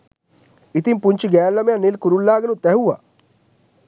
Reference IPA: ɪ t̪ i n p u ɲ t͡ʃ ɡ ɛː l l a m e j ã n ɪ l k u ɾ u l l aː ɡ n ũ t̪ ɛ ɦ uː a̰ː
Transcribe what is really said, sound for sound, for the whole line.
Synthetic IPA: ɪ t̪ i m p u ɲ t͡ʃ ɡ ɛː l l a m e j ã n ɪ l k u ɾ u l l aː ɡ n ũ t̪ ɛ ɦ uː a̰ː